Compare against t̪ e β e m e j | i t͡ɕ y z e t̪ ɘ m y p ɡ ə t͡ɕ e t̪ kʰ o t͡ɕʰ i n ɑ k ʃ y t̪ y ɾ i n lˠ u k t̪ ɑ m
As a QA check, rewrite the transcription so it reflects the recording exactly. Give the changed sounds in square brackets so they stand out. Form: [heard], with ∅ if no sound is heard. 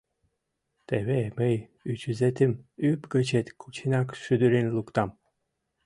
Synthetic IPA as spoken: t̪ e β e m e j | [y] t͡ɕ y z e t̪ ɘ m y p ɡ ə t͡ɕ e t̪ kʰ [u] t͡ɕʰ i n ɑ k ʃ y [d̪] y ɾ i n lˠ u k t̪ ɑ m